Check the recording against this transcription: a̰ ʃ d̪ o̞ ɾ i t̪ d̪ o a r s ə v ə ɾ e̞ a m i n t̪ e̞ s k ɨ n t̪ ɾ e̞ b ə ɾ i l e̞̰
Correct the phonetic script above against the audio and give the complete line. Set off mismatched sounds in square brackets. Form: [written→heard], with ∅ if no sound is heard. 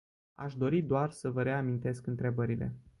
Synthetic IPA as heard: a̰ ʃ d̪ o̞ ɾ i [t̪→∅] d̪ o a r s ə v ə ɾ e̞ a m i n t̪ e̞ s k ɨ n t̪ ɾ e̞ b ə ɾ i l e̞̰